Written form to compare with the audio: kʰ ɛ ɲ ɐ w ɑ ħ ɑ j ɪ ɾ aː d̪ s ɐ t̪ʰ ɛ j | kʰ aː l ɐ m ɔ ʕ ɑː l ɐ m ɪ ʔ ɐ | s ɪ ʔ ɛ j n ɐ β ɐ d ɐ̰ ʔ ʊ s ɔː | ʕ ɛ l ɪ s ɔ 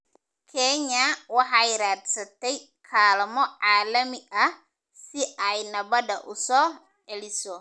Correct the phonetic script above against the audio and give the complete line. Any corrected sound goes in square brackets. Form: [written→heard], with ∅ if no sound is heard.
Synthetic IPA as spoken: kʰ ɛ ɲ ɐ w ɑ ħ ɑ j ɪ ɾ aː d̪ s ɐ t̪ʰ ɛ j | kʰ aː l ɐ m ɔ ʕ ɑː l ɐ m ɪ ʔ ɐ | s ɪ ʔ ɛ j n ɐ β ɐ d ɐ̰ ʔ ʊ s ɔː | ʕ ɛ l ɪ s ɔ